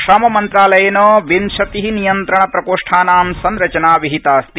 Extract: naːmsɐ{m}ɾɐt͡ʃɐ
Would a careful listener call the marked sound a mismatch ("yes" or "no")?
yes